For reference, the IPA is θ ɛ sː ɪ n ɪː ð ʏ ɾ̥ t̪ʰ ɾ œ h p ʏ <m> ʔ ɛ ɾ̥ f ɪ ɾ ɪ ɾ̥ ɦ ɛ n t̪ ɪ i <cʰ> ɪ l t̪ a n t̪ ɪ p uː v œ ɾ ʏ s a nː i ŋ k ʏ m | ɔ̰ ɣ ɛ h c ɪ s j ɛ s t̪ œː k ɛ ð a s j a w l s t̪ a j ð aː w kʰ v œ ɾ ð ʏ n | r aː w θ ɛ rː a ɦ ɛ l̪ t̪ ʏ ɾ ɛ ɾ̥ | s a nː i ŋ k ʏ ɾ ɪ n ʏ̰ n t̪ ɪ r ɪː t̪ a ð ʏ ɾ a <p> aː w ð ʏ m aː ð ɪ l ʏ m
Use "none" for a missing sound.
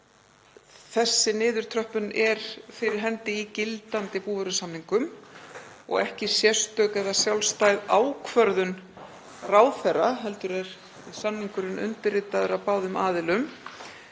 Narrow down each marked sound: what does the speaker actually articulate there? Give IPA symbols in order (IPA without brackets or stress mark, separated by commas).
n, c, p